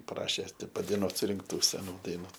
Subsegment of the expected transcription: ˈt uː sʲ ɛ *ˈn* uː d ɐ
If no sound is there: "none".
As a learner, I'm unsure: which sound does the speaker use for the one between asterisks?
n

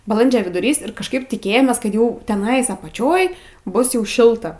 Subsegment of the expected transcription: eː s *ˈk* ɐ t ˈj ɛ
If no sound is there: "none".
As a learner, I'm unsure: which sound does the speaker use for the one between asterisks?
k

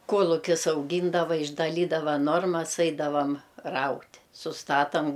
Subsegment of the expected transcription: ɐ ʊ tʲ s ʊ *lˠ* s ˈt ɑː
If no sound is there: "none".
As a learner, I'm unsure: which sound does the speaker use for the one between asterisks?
none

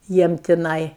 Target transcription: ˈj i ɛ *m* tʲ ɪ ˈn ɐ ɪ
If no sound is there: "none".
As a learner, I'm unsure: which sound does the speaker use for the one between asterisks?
m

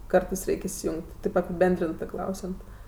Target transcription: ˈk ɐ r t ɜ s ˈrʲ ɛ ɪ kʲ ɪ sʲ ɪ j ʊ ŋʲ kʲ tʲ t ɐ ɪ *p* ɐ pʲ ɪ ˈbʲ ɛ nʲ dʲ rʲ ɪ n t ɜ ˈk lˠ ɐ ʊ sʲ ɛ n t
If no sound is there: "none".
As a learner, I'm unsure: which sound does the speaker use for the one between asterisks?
p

